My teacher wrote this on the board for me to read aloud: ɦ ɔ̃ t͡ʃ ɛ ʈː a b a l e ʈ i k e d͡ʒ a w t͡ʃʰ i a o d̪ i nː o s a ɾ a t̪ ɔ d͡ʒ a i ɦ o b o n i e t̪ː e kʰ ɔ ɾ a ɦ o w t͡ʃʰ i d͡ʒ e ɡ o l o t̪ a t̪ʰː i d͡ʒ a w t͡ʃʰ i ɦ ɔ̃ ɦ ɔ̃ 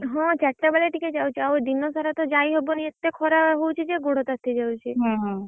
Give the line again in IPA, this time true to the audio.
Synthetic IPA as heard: ɦ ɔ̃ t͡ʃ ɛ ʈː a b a l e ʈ i k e d͡ʒ a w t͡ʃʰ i a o d̪ i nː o s a ɾ a t̪ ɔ d͡ʒ a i ɦ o b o n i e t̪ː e kʰ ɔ ɾ a ɦ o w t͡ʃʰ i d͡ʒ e ɡ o ɽ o t̪ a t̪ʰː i d͡ʒ a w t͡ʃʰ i ɦ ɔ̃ ɦ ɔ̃

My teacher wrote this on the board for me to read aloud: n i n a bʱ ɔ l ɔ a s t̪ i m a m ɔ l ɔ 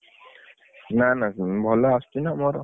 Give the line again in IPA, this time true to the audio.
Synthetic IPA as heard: n a n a bʱ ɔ l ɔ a s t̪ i n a m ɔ ɾ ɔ

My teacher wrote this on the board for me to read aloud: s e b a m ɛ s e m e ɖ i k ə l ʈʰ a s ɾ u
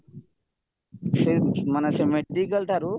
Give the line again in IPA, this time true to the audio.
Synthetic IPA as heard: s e m a n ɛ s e m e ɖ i k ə l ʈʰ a ɾ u

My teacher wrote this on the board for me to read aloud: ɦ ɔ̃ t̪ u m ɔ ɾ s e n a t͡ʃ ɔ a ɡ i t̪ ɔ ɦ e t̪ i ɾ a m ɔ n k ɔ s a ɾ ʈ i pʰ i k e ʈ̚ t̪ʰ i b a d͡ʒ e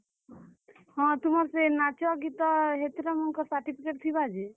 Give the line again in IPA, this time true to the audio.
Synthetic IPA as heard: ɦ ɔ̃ t̪ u m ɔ ɾ s e n a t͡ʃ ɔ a ɡ i t̪ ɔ ɦ e t̪ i ɾ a m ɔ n k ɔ s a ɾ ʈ i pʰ i k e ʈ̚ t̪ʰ i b a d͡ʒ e

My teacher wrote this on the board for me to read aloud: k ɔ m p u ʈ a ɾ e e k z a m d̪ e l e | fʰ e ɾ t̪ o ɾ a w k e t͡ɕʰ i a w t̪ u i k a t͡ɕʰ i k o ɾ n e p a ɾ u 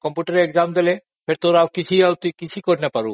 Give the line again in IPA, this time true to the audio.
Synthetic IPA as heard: k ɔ m p u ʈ a ɾ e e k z a m d̪ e l e | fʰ e ɾ t̪ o ɾ a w k i t͡ɕʰ i a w t̪ u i k i t͡ɕʰ i k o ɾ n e p a ɾ u

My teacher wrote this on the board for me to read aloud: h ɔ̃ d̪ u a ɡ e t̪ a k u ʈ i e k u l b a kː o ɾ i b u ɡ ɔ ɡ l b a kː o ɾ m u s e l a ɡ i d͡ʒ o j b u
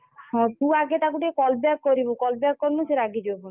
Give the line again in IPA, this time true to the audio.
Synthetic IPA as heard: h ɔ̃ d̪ u a ɡ e t̪ a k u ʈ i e k ɔ l b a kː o ɾ i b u k ɔ l b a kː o ɾ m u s e ɾ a ɡ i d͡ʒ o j b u

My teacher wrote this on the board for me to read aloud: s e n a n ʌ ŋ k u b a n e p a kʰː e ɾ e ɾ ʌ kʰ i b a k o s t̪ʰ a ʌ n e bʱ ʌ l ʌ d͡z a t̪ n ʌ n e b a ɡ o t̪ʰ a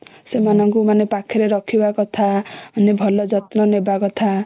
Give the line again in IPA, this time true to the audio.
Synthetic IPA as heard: s e m a n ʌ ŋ k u m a n e p a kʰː e ɾ e ɾ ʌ kʰ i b a k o t̪ʰ a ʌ n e bʱ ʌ l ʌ d͡z ʌ t̪ n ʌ n e b a k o t̪ʰ a

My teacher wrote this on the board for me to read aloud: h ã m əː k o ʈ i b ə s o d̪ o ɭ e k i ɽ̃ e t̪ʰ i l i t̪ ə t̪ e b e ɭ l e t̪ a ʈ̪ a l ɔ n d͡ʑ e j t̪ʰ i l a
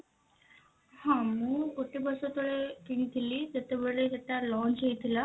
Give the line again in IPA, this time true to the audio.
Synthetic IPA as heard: h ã m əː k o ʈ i b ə s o t̪ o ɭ e k i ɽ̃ i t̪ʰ i l i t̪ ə t̪ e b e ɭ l e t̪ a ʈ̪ a l ɔ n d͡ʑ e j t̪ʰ i l a

